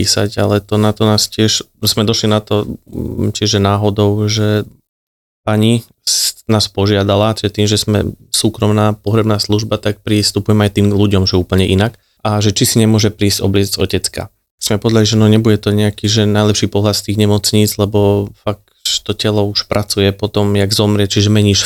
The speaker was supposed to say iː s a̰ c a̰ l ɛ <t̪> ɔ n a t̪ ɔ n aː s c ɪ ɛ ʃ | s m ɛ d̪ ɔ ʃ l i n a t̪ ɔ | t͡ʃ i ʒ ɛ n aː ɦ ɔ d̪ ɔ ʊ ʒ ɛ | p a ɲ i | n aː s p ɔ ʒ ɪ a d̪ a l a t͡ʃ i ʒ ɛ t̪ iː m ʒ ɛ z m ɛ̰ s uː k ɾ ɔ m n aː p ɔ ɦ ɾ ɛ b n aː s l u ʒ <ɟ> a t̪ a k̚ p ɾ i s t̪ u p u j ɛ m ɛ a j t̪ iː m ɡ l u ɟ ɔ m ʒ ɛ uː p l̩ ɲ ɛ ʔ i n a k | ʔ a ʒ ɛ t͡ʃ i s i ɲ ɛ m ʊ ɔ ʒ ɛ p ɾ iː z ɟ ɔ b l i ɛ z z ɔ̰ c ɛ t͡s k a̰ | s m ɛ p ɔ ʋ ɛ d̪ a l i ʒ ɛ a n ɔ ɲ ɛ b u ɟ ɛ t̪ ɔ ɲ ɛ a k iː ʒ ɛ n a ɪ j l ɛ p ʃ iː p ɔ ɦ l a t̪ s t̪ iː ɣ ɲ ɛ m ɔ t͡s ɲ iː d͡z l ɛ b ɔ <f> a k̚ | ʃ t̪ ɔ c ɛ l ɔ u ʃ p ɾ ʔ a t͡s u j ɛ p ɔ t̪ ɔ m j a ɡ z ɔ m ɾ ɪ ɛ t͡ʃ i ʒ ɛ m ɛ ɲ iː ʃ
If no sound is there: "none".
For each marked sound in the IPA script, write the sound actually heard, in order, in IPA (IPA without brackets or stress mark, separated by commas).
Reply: t̪, b, f